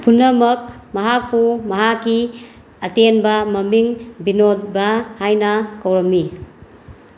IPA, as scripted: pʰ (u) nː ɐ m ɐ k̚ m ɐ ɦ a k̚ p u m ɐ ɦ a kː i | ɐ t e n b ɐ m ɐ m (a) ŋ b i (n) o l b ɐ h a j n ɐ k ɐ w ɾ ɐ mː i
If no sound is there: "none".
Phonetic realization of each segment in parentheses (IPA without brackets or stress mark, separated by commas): u, i, n